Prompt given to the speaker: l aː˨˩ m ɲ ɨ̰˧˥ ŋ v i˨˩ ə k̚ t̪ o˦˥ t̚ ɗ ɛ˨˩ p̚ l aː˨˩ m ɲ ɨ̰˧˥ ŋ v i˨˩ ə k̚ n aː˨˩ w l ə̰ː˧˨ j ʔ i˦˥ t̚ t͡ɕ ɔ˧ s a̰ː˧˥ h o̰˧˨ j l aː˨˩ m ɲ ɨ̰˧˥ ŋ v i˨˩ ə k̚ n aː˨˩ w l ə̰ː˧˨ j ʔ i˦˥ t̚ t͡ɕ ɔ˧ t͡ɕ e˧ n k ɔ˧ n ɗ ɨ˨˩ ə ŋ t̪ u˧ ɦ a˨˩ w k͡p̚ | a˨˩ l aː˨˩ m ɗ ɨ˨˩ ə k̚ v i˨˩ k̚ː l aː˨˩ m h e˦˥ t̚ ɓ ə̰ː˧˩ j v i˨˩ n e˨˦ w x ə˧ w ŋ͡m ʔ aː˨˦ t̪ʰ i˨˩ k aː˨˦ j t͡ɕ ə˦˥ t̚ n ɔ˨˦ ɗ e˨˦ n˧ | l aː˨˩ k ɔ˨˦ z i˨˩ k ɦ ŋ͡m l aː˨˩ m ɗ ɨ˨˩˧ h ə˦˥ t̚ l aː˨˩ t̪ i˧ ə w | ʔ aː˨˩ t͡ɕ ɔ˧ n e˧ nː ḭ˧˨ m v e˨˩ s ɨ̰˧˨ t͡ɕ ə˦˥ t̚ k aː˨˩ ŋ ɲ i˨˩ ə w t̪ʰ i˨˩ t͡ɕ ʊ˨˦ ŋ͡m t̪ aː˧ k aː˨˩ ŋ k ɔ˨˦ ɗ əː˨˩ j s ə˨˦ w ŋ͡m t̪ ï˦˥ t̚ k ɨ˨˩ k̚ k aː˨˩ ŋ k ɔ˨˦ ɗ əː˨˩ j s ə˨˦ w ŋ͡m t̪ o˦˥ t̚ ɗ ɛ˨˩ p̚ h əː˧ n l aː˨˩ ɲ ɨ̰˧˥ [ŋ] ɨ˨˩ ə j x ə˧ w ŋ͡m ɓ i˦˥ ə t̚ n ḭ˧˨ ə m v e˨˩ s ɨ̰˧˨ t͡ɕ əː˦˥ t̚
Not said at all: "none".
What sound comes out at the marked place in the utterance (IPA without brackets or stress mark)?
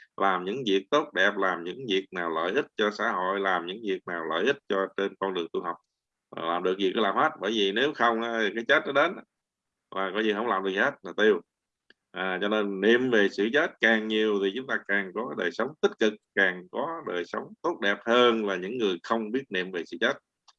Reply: ŋː